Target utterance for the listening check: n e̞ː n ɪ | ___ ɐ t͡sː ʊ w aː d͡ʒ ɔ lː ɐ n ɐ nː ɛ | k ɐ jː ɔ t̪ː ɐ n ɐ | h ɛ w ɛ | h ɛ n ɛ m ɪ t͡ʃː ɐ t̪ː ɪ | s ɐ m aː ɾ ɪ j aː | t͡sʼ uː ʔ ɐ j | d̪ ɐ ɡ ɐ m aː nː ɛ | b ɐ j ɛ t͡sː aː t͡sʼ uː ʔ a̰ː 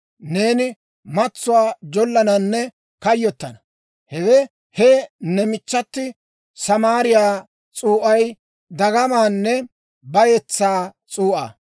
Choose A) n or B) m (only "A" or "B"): B